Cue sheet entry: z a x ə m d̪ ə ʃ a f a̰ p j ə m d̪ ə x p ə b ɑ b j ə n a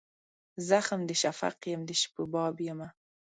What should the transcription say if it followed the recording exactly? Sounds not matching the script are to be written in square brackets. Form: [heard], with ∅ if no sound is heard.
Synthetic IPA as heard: z a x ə m d̪ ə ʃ a f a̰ [q] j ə m d̪ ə [ʃ] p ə b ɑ b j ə [m] a

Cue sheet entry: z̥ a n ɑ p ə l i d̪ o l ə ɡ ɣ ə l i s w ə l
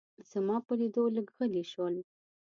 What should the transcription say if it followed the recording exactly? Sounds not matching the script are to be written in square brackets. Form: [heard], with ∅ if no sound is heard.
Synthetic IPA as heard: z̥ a [m] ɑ p ə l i d̪ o l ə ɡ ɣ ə l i [ʃ] w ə l

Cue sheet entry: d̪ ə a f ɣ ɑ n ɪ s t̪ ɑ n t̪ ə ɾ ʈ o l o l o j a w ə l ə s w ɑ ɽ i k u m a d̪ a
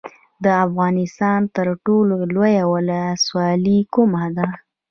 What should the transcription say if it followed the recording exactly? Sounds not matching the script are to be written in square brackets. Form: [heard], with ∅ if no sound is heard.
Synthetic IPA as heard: d̪ ə a f ɣ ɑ n ɪ s t̪ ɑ n t̪ ə ɾ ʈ o l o l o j a w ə l ə s w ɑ [l] i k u m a d̪ a

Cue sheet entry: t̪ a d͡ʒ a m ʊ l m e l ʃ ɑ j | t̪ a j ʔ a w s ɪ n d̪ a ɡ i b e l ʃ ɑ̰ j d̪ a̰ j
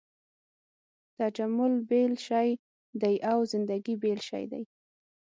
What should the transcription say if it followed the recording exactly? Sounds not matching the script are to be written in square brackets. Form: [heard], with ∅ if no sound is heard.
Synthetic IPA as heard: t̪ a d͡ʒ a m ʊ l [b] e l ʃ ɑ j | [d̪] a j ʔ a w [z] ɪ n d̪ a ɡ i b e l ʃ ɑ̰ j d̪ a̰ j

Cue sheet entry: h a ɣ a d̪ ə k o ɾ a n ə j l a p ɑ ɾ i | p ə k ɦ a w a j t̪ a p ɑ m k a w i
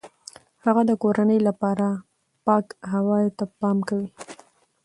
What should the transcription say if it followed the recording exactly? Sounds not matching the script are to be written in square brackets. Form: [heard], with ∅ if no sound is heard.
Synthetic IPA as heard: h a ɣ a d̪ ə k o ɾ a n ə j l a p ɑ ɾ [a] | p [ɑ] k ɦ a w [ɑ] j t̪ a p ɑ m k a w i

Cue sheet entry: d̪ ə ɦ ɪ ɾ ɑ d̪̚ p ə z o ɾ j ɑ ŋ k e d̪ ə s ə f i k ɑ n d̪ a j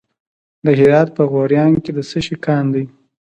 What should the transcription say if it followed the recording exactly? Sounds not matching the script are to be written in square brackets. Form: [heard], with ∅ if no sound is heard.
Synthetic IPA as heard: d̪ ə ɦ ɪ ɾ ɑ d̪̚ p ə [ɣ] o ɾ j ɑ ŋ k e d̪ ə s ə [ʃ] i k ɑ n d̪ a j

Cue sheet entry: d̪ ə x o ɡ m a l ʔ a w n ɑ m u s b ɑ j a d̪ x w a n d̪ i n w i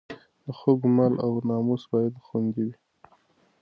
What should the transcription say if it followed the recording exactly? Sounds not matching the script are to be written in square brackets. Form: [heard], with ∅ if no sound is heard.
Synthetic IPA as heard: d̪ ə x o ɡ m a l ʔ a w n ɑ m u s b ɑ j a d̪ x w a n d̪ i [∅] w i

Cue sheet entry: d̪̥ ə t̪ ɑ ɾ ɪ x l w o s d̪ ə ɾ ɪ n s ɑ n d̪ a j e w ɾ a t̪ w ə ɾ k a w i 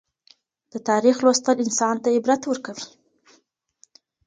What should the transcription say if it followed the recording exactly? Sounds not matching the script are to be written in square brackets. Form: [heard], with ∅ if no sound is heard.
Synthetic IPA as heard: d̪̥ ə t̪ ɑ ɾ [i] x l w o s [t̪] ə [l] ɪ n s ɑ n [t̪] a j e [b] ɾ a t̪ w ə ɾ k a w i

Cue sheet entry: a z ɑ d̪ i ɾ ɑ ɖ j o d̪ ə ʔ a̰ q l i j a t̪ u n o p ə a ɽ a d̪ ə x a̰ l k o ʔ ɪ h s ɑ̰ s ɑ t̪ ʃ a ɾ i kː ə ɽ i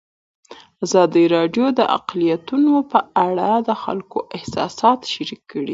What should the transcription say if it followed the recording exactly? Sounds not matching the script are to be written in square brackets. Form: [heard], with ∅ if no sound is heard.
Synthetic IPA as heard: a z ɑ d̪ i ɾ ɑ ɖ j o d̪ ə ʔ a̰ q l i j a t̪ u n o p ə a ɽ a d̪ ə x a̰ l k o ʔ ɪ h s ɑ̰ s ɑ t̪ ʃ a ɾ i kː ə ɽ i

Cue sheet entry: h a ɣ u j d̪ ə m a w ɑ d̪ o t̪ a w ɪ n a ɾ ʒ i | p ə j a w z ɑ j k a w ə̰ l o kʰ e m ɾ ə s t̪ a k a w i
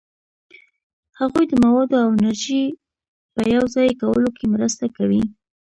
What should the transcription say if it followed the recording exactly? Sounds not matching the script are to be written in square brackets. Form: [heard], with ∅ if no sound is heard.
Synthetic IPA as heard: h a ɣ u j d̪ ə m a w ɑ d̪ o [∅] a w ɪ n a ɾ ʒ i | p ə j a w z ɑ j k a w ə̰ l o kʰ e m ɾ ə s t̪ a k a w i

